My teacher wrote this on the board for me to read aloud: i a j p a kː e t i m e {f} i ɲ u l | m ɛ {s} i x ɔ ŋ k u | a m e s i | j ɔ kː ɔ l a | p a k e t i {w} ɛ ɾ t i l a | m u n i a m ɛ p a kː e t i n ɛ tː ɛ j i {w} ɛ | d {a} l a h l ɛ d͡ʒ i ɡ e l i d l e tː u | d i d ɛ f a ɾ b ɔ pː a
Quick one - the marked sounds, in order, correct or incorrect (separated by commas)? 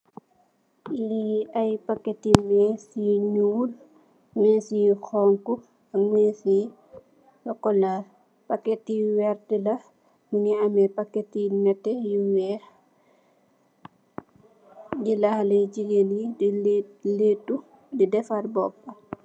incorrect, correct, correct, correct, incorrect